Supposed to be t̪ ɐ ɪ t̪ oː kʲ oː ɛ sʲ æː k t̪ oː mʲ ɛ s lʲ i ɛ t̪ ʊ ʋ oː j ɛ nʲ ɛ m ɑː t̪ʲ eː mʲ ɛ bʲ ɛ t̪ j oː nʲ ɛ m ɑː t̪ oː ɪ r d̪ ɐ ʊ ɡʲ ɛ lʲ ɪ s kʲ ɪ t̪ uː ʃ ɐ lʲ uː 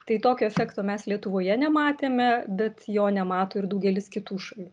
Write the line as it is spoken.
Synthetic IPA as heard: t̪ ɐ ɪ t̪ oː kʲ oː ɛ fʲ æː k t̪ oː mʲ ɛ s lʲ i ɛ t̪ ʊ ʋ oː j ɛ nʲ ɛ m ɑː t̪ʲ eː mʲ ɛ bʲ ɛ t̪ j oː nʲ ɛ m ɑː t̪ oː ɪ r d̪ ɐ ʊ ɡʲ ɛ lʲ ɪ s kʲ ɪ t̪ uː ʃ ɐ lʲ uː